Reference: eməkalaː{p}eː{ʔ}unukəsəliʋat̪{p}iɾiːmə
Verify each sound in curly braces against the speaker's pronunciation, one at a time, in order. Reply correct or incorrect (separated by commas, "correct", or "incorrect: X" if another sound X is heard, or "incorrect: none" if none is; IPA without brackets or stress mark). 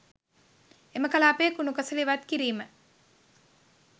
correct, incorrect: k, incorrect: k